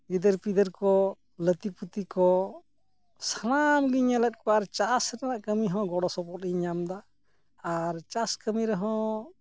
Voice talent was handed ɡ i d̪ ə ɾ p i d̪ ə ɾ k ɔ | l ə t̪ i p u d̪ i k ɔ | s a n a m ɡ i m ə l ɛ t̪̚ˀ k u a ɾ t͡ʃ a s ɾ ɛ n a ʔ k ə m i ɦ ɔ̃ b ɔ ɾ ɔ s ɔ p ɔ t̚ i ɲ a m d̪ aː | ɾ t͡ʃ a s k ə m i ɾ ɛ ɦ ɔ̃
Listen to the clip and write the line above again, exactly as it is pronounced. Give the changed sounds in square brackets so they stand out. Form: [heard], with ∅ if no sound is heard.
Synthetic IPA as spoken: ɡ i d̪ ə ɾ p i d̪ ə ɾ k ɔ | l ə t̪ i p u [t̪] i k ɔ | s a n a m ɡ i [ɲ] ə l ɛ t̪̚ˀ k [ɔ] a ɾ t͡ʃ a s ɾ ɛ n a ʔ k ə m i ɦ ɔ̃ [ɡ] ɔ [ɽ] ɔ s ɔ p ɔ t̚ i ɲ a m d̪ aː | ɾ t͡ʃ a s k ə m i ɾ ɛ ɦ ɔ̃